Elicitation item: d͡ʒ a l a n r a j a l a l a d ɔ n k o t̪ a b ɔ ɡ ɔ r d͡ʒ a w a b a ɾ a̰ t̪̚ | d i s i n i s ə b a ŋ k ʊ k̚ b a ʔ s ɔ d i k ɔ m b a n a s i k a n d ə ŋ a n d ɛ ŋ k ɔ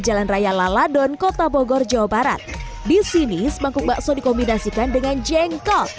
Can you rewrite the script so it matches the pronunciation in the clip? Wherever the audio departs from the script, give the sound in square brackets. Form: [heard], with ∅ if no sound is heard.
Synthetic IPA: d͡ʒ a l a n r a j a l a l a d ɔ n k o t̪ a b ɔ ɡ ɔ r d͡ʒ a w a b a ɾ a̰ t̪̚ | d i s i n i s ə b a ŋ k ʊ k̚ b a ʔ s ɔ d i k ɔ m b [i] n a s i k a n d ə ŋ a n [d͡ʒ] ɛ ŋ k ɔ